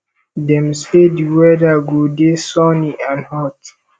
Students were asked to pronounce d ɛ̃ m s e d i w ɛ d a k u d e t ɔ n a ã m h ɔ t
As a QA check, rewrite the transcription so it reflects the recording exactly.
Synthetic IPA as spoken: d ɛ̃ m s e d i w ɛ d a ɡ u d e s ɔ n i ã n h ɔ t